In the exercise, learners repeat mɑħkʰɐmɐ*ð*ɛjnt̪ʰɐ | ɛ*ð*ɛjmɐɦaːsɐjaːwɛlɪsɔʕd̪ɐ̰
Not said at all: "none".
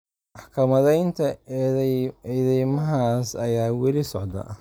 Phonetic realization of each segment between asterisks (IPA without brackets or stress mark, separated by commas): ð, ð